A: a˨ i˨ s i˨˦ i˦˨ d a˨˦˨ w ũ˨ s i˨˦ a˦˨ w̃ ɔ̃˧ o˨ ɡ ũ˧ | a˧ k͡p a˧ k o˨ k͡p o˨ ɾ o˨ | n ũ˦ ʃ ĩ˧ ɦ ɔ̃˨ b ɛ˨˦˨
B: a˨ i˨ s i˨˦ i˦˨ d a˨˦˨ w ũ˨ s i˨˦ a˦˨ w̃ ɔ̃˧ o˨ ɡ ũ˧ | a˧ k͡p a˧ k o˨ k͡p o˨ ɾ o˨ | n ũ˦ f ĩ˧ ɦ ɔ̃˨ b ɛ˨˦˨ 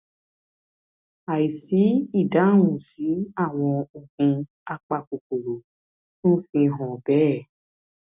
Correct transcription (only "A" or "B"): B